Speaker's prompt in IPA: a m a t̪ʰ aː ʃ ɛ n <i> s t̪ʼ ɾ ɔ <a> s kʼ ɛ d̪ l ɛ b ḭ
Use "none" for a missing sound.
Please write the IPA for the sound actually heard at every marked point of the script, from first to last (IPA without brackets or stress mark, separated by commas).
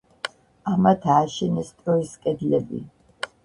ɛ, i